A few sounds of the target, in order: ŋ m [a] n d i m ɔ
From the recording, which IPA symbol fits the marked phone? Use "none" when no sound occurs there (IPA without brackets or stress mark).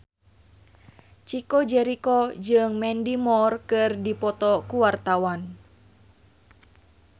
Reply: ɛ